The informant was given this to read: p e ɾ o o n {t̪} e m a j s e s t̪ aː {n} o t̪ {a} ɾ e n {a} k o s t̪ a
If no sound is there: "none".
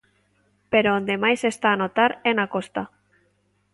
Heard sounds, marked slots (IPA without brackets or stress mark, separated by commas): d̪, n, a, a